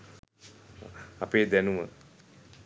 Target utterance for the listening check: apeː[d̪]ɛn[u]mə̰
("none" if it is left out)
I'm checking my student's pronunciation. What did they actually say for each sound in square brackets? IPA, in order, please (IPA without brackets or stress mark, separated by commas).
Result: d̪, u